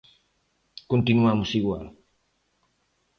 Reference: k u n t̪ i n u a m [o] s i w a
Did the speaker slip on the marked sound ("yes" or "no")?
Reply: yes